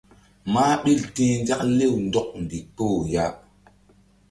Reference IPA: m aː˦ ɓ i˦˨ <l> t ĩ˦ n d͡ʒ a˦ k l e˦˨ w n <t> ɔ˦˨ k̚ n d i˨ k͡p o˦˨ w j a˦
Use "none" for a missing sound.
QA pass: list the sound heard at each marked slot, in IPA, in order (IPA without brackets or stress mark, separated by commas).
l, d